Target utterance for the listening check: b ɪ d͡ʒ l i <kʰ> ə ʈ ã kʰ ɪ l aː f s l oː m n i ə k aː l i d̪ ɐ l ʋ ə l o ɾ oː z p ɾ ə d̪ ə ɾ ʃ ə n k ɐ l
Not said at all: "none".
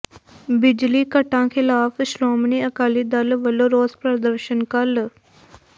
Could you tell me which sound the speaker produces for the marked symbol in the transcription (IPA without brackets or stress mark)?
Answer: k